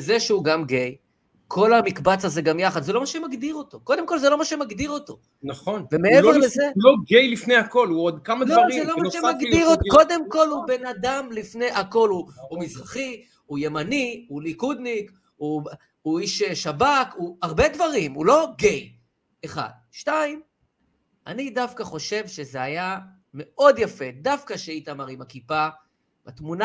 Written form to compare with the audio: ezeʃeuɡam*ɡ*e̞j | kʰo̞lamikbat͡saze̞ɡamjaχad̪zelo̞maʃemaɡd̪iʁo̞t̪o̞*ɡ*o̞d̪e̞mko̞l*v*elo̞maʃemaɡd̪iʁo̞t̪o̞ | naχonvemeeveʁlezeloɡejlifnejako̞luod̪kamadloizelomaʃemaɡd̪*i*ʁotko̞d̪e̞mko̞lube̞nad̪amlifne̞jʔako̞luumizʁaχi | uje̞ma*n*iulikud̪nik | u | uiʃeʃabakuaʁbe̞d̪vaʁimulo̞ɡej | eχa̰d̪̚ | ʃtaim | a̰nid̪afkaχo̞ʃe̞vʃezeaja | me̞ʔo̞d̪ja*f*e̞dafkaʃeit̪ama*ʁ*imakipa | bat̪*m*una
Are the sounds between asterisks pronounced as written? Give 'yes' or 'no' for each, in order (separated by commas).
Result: yes, no, no, yes, yes, yes, yes, yes